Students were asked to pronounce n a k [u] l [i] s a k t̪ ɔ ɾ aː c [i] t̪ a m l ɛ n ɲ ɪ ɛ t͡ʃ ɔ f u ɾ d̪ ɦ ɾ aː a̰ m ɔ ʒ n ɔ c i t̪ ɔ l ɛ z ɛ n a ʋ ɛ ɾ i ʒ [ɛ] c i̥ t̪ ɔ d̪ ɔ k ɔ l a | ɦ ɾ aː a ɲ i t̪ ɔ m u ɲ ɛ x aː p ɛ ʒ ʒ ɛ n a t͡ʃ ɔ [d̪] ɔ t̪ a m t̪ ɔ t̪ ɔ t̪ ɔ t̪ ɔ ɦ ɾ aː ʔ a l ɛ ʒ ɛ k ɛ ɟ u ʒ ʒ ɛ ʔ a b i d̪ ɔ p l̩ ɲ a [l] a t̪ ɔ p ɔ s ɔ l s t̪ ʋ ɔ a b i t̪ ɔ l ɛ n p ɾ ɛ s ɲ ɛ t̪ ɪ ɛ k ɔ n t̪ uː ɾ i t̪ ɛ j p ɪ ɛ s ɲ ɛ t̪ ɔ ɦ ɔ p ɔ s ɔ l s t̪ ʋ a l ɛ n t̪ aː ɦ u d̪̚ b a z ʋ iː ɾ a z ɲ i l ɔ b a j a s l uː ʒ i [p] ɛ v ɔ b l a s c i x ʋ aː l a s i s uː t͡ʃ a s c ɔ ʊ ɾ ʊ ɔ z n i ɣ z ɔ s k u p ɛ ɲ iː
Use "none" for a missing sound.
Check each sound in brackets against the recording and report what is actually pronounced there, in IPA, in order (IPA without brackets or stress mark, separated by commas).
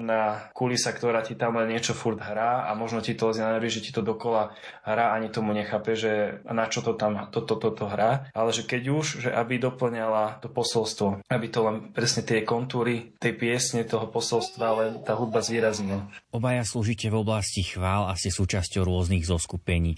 u, i, i, ɛ, t̪, l, c